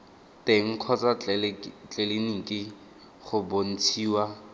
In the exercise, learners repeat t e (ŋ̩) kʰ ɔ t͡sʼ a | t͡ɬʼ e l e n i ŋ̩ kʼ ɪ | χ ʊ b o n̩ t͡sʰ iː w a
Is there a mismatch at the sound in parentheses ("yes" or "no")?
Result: no